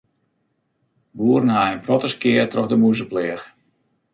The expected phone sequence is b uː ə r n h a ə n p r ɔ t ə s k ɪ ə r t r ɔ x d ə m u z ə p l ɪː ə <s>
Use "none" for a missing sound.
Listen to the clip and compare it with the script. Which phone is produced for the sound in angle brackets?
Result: x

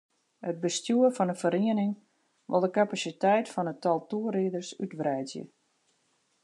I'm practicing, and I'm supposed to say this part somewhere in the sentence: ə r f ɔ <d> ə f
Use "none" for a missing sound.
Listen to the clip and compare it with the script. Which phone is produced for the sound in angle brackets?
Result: n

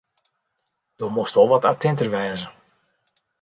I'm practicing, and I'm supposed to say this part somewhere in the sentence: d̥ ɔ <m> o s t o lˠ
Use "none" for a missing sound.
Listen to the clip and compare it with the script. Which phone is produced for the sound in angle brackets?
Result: m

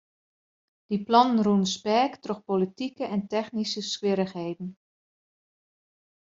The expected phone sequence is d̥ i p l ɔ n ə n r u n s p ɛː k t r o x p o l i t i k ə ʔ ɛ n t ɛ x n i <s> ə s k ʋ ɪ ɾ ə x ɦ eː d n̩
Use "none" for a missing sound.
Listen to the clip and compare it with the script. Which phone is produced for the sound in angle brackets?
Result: s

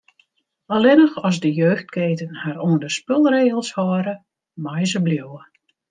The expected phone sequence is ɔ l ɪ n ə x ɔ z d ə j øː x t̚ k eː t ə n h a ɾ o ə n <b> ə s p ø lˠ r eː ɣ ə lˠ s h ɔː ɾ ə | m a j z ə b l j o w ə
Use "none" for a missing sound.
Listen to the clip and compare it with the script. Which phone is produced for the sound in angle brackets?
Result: d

